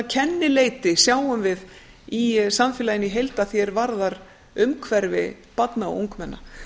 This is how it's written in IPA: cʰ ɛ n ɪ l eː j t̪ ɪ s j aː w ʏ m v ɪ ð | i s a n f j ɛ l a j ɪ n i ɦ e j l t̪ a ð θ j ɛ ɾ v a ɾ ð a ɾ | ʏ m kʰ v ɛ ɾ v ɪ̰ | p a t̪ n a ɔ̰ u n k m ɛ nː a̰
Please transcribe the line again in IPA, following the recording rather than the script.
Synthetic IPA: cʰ ɛ nː ɪ l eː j t̪ ɪ s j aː w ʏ m v ɪ ð | i s a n f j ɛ l a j ɪ n i ɦ e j l t̪ a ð θ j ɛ ɾ v a ɾ ð a ɾ | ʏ m kʰ v ɛ ɾ v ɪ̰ | p a t̪ n a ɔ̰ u ŋ k m ɛ nː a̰